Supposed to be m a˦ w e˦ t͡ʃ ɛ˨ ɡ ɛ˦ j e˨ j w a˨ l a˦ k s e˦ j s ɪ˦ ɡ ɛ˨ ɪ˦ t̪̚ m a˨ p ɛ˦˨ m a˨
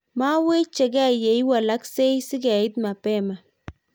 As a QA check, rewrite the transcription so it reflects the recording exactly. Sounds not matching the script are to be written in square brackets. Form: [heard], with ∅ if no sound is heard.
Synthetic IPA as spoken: m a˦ w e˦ t͡ʃ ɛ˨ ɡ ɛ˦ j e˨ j w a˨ l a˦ k s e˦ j s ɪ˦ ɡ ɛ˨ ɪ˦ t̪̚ m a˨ p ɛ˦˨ m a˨

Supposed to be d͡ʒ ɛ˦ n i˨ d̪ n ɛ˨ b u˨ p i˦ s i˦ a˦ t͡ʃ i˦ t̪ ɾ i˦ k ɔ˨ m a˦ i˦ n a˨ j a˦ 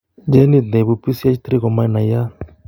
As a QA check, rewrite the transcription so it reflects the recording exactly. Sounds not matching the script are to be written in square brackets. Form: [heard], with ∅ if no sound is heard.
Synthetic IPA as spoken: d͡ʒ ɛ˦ n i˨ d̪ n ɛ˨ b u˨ p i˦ s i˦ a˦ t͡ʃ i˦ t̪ ɾ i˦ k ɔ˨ m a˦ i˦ n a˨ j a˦

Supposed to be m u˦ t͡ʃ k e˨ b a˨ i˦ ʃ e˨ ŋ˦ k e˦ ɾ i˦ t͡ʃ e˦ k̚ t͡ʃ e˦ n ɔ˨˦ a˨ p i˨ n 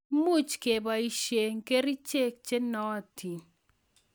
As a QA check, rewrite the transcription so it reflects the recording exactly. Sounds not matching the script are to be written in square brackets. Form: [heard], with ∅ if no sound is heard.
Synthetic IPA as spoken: m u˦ t͡ʃ k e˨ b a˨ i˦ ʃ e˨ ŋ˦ k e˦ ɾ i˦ t͡ʃ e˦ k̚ t͡ʃ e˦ n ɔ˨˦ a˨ [t] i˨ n

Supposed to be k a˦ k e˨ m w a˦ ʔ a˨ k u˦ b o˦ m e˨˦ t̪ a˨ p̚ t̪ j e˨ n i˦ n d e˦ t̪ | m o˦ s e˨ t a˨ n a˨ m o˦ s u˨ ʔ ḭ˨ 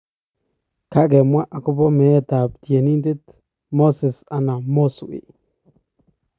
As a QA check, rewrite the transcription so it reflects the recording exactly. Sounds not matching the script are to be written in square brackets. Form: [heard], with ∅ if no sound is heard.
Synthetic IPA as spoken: k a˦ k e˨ m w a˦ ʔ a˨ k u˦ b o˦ m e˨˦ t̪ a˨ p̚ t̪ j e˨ n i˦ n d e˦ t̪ | m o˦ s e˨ [s] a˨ n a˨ m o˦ s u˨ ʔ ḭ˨

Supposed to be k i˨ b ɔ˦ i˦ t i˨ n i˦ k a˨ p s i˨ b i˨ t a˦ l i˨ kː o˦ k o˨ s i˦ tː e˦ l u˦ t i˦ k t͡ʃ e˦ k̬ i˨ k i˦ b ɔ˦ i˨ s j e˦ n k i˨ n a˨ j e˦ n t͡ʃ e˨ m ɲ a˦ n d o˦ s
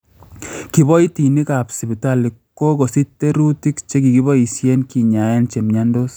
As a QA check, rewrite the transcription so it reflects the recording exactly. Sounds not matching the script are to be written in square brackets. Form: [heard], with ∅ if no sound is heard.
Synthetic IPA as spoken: k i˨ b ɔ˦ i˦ t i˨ n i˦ k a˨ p s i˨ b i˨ t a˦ l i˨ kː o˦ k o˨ s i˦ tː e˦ [ɾ] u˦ t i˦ k t͡ʃ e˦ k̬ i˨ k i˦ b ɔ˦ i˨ s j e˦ n k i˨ [ɲ] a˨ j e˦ n t͡ʃ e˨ m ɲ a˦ n d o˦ s

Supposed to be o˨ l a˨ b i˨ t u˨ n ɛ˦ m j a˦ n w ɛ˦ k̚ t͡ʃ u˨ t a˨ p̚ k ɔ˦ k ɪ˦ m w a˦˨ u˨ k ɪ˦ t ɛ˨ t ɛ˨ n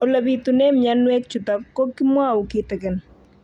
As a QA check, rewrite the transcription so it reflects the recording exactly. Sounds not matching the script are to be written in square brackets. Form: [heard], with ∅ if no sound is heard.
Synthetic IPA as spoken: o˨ l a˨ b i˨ t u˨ n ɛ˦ m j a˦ n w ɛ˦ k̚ t͡ʃ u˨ t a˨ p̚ k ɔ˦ k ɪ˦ m w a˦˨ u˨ k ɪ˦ t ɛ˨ [k] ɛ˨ n

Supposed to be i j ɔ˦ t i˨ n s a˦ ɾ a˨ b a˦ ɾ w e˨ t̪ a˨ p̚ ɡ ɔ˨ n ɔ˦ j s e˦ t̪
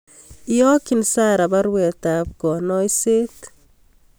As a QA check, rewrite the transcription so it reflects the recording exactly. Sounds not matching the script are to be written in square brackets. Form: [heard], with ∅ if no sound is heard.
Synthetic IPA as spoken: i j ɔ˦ [k] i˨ n s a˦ ɾ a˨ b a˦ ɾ w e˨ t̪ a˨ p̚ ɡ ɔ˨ n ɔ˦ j s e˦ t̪

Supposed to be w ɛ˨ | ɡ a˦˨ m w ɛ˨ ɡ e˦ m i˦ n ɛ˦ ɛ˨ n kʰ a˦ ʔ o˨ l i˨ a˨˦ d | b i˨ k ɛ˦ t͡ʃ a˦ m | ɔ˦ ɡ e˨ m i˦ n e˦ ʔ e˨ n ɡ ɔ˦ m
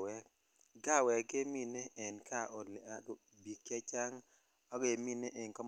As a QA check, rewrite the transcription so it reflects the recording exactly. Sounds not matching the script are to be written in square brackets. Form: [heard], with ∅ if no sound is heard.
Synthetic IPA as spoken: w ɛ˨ | ɡ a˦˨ [∅] w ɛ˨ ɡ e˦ m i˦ n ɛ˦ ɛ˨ n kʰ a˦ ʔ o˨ l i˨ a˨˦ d | b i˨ k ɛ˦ t͡ʃ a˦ [ŋ] | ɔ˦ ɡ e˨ m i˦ n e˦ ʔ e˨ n [k] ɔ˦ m

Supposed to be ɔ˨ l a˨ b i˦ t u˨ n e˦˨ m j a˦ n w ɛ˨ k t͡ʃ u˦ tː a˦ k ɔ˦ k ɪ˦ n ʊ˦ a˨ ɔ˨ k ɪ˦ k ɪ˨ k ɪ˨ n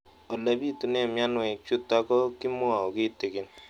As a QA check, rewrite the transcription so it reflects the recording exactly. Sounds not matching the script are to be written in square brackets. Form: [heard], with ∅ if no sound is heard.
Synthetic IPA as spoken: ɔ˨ l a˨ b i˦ t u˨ n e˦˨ m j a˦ n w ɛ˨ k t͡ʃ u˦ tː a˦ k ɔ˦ k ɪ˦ [m] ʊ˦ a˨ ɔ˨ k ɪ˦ [t] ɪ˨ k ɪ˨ n

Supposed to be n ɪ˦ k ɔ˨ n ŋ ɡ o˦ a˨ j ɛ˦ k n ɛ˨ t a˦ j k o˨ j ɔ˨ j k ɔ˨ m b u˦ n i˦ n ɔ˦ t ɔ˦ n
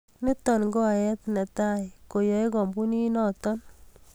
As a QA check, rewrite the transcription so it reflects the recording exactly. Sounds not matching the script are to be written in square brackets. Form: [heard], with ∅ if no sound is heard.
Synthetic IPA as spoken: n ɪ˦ [t] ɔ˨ n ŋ ɡ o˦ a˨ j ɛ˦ [t] n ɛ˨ t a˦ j k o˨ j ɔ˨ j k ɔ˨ m b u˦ n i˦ n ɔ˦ t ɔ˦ n

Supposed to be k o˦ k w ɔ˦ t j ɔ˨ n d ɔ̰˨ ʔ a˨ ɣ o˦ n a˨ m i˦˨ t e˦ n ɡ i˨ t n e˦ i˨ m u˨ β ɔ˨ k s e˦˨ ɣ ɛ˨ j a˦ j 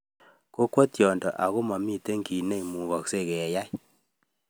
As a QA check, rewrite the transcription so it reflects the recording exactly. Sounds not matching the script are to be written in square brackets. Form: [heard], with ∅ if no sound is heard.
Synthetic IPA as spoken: k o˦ k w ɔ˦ t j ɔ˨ n d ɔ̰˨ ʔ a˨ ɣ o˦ [m] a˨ m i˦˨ t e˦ [ŋ] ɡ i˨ [∅] n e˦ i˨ m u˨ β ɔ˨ k s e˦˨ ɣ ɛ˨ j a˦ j

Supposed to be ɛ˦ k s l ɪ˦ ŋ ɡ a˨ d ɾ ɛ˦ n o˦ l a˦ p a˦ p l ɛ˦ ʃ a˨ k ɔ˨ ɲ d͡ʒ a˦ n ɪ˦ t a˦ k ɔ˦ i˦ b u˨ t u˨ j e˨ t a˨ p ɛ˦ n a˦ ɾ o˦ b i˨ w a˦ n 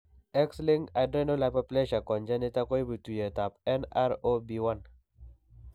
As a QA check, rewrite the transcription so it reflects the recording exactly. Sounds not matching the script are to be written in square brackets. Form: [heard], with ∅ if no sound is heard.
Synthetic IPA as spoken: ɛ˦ k s l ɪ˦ ŋ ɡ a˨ d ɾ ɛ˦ n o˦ l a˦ p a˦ p l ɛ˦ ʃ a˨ k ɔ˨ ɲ d͡ʒ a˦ n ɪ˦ t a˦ k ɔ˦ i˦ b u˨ t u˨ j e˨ t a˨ p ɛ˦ n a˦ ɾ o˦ b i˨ w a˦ n

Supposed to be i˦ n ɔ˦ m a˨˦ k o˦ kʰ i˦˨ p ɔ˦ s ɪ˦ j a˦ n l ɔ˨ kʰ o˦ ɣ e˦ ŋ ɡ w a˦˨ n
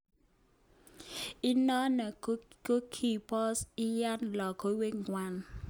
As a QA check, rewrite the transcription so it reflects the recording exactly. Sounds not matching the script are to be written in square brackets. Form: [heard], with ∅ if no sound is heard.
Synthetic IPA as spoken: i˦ n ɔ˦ [n] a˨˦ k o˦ kʰ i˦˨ p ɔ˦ s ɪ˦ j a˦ n l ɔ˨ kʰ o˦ [w] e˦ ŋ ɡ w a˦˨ n

